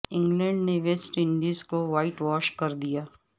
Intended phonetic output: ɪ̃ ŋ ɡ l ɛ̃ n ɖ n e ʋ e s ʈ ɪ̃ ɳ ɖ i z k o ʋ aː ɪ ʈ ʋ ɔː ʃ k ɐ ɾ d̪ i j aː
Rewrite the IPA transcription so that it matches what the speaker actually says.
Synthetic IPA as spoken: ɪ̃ ŋ ɡ l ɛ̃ ɳ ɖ n e ʋ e s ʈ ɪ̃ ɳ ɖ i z k o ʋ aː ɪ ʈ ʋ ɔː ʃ k ɐ ɾ d̪ i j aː